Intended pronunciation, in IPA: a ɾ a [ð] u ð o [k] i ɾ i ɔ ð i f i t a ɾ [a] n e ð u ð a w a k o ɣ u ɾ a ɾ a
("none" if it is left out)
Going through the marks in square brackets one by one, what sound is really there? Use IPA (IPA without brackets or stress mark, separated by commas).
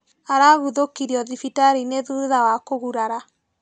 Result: ɣ, k, i